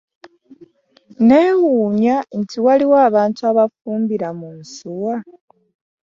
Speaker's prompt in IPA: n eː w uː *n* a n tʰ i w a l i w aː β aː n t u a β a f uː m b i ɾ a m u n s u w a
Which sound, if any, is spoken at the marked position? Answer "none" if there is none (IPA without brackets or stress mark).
ɲ